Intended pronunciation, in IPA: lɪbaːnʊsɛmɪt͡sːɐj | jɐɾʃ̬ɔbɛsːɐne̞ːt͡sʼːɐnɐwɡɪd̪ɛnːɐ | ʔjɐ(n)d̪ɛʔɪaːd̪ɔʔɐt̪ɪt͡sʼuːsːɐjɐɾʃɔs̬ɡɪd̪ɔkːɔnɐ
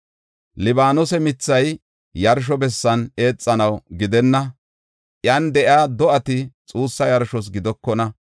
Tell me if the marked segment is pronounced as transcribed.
yes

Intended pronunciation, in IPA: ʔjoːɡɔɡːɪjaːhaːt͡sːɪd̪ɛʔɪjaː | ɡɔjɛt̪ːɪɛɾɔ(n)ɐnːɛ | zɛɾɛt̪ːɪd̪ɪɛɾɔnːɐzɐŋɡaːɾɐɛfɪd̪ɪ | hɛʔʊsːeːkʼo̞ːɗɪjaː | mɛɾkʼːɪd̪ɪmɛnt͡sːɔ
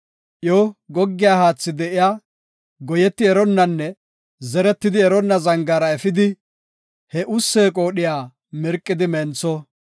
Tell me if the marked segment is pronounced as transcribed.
no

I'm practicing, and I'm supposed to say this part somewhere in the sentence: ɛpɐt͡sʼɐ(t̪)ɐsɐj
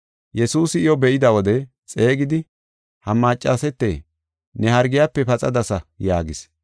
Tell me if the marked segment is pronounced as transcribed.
no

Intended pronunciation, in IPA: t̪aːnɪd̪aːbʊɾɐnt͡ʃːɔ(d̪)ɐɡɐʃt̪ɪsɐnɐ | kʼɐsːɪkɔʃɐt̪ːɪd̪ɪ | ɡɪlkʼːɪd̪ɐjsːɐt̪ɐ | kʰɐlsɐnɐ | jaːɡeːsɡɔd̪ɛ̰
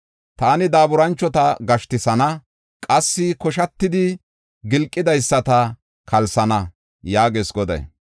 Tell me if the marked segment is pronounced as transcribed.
no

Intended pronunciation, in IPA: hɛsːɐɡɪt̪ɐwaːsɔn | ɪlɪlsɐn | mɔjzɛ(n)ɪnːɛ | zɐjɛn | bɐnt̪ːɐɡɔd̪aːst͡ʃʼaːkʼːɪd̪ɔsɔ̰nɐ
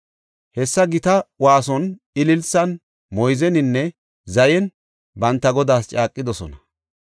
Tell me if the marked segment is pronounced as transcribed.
yes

